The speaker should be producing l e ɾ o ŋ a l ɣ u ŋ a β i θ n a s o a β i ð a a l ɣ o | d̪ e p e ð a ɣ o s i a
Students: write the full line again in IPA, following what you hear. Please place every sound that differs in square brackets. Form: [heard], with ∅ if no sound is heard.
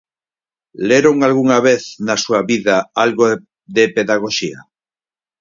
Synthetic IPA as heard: l e ɾ o ŋ a l ɣ u ŋ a β [e] θ n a s [u] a β i ð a a l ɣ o | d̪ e p e ð a ɣ o [ʃ] i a